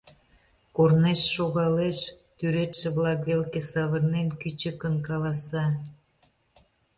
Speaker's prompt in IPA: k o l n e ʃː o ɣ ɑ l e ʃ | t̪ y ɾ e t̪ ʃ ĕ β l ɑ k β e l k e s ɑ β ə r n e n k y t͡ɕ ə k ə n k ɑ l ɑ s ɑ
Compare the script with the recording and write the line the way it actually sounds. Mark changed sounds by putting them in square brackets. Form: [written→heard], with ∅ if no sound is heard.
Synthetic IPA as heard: k o [l→r] n e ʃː o ɣ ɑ l e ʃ | t̪ y ɾ e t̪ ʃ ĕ β l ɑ k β e l k e s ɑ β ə r n e n k y t͡ɕ ə k ə n k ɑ l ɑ s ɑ